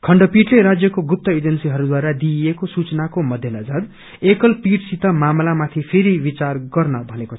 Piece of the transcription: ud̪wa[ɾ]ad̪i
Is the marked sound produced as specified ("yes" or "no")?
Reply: yes